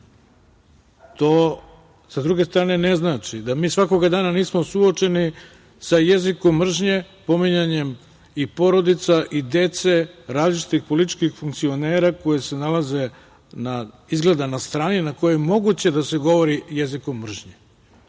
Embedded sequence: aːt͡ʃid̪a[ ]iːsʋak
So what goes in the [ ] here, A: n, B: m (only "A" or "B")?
B